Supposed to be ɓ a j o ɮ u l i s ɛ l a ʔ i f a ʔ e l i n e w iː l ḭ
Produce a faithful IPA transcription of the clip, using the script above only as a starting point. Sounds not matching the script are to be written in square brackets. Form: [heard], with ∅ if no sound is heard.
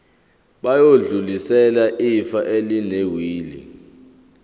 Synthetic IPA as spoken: ɓ a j o ɮ u l i s ɛ l a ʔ i f a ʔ e l i n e w iː l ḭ

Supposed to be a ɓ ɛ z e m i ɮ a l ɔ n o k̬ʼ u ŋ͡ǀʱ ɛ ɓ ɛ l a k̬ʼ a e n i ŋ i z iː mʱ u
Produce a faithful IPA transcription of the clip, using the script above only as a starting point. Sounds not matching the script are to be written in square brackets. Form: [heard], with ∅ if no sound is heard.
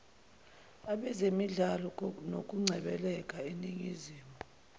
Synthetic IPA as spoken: a ɓ ɛ z e m i ɮ a l ɔ n o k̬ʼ u ŋ͡ǀʱ ɛ ɓ ɛ l [ɛ] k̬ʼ a e n i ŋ i z iː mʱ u

